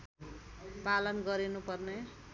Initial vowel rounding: unrounded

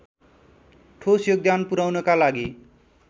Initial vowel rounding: rounded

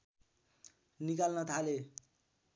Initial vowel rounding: unrounded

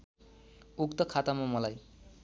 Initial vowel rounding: rounded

